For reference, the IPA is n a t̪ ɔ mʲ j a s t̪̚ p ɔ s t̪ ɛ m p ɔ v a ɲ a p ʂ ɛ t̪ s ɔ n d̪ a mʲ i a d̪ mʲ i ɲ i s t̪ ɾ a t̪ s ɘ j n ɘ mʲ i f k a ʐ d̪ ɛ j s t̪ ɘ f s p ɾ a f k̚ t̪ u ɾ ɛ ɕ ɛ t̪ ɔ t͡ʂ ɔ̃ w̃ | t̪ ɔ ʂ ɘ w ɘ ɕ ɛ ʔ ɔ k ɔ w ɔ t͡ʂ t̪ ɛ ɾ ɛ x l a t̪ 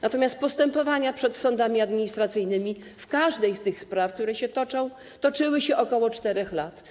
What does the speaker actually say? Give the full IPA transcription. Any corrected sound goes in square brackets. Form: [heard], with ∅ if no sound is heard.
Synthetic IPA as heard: n a t̪ ɔ mʲ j a s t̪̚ p ɔ s t̪ ɛ m p ɔ v a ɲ a p ʂ ɛ t̪ s ɔ n d̪ a mʲ i a d̪ mʲ i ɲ i s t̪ ɾ a t̪ s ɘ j n ɘ mʲ i f k a ʐ d̪ ɛ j s t̪ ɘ [x] s p ɾ a f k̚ t̪ u ɾ ɛ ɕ ɛ t̪ ɔ t͡ʂ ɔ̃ w̃ | t̪ ɔ [t͡ʂ] ɘ w ɘ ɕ ɛ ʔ ɔ k ɔ w ɔ t͡ʂ t̪ ɛ ɾ ɛ x l a t̪